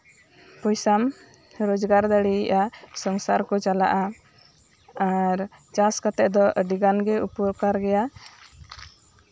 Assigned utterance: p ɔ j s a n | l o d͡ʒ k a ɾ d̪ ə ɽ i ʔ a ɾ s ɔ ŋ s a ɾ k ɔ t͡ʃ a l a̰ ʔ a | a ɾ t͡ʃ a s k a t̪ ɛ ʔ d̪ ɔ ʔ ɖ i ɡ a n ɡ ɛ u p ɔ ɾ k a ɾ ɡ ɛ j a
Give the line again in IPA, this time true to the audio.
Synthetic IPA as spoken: p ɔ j s a m | ɾ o d͡ʒ ɡ a ɾ d̪ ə ɽ i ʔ a s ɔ ŋ s a ɾ k ɔ t͡ʃ a l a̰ ʔ a | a ɾ t͡ʃ a s k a t̪ ɛ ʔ d̪ ɔ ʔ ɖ i ɡ a n ɡ ɛ u p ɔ ɾ k a ɾ ɡ ɛ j a